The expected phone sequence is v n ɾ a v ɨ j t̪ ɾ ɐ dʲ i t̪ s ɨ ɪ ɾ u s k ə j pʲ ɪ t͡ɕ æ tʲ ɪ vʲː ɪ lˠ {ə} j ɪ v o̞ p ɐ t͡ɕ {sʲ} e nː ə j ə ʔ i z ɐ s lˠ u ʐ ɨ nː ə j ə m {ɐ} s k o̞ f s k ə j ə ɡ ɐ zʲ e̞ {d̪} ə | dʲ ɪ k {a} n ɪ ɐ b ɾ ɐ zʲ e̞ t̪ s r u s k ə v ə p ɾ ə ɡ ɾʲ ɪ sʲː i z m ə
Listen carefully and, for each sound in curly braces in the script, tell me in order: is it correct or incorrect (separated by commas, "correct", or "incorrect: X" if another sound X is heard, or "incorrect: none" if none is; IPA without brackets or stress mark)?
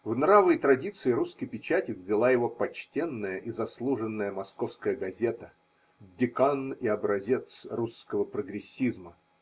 incorrect: a, incorrect: tʲ, correct, incorrect: t̪, correct